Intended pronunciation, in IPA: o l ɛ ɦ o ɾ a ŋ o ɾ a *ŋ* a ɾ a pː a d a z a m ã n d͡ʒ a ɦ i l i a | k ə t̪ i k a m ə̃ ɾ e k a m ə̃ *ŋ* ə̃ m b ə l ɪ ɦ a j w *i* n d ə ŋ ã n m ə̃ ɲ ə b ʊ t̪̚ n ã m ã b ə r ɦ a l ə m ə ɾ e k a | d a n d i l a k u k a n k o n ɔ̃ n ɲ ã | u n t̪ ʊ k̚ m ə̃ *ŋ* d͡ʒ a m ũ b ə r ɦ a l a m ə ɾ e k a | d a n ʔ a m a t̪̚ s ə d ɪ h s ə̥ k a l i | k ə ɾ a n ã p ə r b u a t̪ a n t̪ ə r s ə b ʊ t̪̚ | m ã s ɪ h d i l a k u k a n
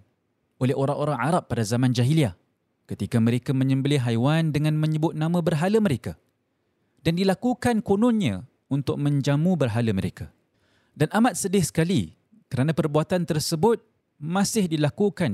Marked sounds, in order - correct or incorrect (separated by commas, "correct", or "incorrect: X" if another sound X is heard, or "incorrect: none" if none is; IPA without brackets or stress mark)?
correct, incorrect: ɲ, incorrect: a, incorrect: ɲ